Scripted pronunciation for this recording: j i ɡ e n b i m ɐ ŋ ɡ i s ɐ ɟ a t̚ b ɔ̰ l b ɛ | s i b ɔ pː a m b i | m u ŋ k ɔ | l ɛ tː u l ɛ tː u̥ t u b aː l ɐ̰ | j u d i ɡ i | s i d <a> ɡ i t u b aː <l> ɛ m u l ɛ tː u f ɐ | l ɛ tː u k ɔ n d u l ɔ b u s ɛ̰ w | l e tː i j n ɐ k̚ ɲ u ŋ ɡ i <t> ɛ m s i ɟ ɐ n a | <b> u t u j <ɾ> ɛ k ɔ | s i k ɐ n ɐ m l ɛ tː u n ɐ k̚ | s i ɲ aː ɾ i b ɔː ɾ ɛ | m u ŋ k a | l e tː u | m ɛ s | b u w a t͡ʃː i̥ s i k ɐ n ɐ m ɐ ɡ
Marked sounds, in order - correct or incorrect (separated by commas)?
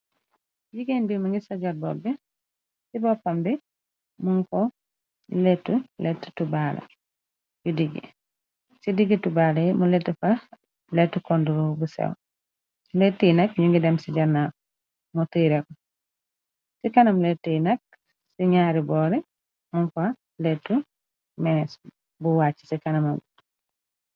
incorrect, correct, incorrect, incorrect, correct